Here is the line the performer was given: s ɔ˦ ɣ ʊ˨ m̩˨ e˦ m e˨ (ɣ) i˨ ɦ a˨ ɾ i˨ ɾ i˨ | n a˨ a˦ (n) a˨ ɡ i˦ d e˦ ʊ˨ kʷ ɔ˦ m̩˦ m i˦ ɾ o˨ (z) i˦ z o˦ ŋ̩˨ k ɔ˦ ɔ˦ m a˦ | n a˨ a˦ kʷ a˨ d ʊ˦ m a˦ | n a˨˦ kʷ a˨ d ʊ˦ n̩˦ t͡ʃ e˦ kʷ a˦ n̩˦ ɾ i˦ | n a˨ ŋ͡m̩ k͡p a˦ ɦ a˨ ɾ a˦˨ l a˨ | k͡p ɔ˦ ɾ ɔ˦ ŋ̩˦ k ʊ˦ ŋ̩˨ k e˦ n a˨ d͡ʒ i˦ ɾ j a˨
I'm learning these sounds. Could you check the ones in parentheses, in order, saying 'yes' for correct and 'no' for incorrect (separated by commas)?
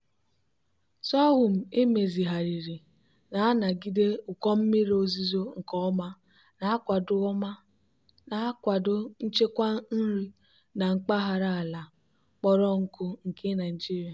no, yes, yes